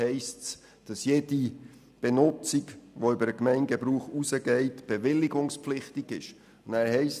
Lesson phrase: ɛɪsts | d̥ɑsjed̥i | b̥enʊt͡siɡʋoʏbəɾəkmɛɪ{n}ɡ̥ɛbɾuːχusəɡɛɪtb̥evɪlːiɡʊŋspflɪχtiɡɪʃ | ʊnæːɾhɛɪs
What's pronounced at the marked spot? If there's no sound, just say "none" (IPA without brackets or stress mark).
n